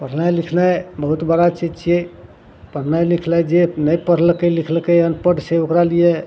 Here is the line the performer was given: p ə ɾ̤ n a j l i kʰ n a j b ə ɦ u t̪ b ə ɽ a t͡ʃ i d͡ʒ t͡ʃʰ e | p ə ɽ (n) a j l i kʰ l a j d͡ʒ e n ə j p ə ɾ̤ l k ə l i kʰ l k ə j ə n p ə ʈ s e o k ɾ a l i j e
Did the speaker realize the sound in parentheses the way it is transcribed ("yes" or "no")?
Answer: yes